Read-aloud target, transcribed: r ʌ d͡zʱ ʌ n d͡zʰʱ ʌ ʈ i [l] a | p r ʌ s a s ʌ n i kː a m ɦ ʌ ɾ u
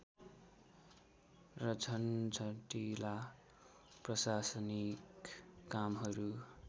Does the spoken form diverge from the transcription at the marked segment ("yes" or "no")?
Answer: no